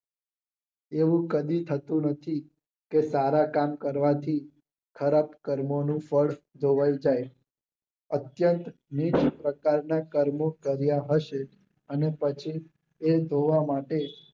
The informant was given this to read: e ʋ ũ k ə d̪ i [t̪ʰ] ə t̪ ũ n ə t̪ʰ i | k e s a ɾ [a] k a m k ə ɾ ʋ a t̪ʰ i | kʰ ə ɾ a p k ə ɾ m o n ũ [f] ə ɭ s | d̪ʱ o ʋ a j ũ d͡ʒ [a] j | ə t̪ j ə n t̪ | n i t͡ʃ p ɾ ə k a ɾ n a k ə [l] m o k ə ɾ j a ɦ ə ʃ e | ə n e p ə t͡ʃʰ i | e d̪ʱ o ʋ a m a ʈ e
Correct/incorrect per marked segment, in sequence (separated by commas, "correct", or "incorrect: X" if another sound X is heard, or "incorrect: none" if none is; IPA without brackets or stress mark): correct, correct, correct, correct, incorrect: ɾ